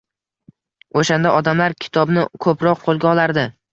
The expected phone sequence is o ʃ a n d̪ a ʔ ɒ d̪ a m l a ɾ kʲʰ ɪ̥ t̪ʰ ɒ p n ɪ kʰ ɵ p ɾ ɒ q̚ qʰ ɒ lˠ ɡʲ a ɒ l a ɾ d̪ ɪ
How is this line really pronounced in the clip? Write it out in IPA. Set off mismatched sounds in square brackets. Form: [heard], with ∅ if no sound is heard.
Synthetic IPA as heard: o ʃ a n d̪ a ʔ ɒ d̪ a m l a ɾ kʲʰ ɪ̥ t̪ʰ ɒ [b] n ɪ kʰ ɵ p ɾ ɒ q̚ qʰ [o] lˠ ɡʲ a ɒ l a ɾ d̪ ɪ